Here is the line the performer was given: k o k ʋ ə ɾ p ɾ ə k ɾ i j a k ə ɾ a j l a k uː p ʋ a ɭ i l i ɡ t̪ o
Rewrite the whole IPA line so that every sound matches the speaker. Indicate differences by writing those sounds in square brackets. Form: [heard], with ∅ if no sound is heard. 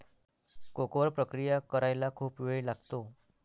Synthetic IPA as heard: k o k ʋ ə ɾ p ɾ ə k ɾ i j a k ə ɾ a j l a [kʰ] uː p ʋ [e] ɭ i l [a] ɡ t̪ o